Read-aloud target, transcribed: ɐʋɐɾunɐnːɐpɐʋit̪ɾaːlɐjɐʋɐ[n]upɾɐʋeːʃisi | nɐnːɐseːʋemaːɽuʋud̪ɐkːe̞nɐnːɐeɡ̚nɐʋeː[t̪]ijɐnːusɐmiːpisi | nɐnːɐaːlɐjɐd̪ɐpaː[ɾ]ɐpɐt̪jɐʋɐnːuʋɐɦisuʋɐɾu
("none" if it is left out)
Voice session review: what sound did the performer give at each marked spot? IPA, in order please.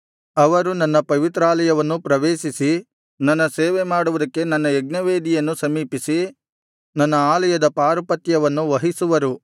nː, d̪, ɾ

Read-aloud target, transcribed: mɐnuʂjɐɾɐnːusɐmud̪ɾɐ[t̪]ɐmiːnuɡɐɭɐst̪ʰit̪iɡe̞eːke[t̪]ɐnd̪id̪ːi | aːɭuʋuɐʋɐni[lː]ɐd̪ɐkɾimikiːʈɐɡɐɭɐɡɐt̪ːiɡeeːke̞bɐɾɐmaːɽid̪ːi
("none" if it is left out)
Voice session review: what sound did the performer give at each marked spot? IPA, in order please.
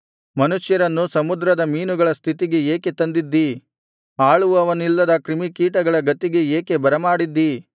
d̪, t̪, lː

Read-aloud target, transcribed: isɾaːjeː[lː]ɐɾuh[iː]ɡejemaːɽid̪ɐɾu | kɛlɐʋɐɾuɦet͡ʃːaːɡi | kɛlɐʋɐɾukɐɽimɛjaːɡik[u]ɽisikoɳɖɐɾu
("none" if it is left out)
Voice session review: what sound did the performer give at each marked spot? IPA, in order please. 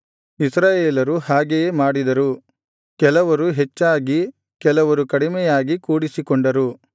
l, aː, uː

